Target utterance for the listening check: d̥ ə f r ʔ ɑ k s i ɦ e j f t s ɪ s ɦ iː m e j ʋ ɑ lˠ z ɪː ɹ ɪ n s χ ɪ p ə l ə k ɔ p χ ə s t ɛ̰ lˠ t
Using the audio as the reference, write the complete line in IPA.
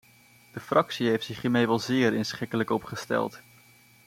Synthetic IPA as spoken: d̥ ə f r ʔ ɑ k s i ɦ e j f t s ɪ χ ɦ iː m e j ʋ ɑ lˠ z ɪː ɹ ɪ n s χ ɪ k ə l ə k ɔ p χ ə s t ɛ̰ lˠ t